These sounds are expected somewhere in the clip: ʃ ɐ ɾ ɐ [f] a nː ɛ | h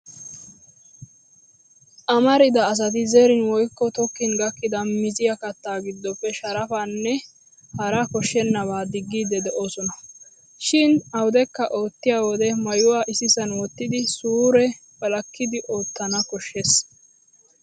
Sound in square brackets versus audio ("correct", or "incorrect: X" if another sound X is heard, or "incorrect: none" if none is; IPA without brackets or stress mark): correct